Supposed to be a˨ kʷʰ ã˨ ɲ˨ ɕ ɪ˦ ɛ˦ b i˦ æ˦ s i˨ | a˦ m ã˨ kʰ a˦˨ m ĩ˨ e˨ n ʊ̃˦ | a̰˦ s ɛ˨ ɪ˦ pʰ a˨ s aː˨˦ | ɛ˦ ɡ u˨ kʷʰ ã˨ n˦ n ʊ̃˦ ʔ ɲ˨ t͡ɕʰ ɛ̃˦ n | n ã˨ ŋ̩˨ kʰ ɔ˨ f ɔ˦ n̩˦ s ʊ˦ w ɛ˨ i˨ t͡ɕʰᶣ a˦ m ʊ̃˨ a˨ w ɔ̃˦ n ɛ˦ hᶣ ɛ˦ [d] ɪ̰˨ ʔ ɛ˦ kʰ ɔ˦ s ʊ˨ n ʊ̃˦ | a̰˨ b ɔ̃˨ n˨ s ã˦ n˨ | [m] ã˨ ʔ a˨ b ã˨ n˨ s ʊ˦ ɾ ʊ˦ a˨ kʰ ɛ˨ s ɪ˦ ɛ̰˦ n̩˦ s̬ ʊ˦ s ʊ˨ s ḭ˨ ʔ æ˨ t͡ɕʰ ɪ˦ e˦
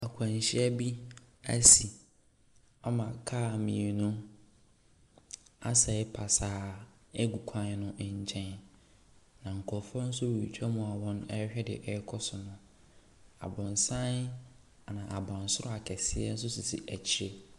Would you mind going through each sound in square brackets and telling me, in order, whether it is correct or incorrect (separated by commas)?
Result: correct, incorrect